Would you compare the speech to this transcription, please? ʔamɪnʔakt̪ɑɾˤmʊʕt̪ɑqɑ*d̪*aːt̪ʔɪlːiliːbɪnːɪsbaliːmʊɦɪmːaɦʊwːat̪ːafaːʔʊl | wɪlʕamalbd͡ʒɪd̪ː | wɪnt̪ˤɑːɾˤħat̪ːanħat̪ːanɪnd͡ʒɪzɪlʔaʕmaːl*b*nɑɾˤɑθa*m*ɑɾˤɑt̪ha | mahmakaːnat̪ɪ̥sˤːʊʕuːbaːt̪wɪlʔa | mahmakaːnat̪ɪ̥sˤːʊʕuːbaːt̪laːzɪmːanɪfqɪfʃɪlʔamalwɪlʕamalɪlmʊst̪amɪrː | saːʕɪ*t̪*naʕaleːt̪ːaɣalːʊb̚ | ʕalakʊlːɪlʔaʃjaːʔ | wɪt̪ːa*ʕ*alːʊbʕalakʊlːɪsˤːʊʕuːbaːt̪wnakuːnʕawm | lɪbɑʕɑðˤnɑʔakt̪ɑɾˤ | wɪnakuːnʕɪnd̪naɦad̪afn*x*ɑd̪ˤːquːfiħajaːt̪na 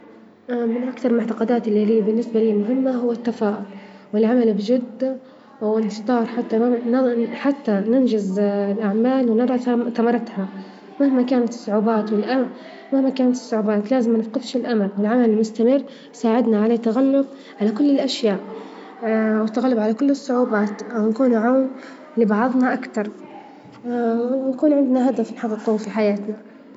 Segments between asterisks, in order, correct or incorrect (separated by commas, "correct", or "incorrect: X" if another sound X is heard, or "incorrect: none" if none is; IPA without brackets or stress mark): correct, incorrect: w, correct, incorrect: d̪, incorrect: ɣ, incorrect: ħ